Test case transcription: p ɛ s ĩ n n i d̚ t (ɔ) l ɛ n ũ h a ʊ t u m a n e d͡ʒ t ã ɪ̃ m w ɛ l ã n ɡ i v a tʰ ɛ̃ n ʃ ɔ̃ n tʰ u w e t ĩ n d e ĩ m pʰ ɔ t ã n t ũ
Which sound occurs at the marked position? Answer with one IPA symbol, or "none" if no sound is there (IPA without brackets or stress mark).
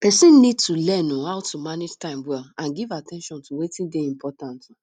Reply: u